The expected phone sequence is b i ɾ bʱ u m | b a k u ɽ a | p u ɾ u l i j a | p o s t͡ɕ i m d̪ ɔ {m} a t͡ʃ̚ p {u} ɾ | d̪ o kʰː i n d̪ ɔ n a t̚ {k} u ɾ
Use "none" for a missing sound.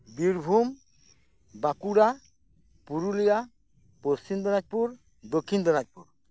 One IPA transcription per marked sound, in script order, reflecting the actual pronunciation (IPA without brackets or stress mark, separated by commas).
n, u, p